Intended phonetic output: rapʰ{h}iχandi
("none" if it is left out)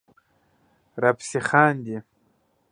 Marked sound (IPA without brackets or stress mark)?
s